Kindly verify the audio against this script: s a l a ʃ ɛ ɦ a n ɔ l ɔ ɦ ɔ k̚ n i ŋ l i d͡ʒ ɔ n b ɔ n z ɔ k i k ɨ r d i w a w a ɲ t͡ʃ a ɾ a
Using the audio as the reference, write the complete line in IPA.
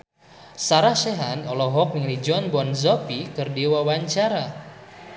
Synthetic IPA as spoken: s a ɾ a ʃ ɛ ɦ a n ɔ l ɔ ɦ ɔ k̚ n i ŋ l i d͡ʒ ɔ n b ɔ n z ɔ p i k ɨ r d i w a w a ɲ t͡ʃ a ɾ a